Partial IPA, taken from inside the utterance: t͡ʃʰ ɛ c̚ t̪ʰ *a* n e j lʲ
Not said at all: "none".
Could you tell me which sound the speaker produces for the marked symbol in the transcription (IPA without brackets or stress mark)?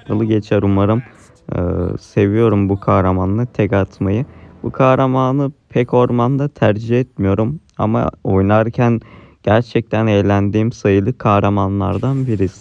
æ